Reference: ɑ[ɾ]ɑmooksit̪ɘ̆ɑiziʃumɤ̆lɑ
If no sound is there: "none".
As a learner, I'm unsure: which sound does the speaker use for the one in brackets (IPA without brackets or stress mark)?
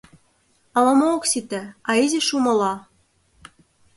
l